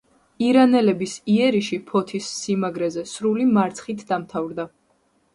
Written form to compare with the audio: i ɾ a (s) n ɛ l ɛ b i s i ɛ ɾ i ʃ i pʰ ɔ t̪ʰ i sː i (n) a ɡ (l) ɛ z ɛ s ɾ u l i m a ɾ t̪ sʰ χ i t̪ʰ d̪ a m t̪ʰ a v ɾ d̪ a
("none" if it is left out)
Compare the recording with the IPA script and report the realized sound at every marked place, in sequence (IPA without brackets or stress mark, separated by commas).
none, m, ɾ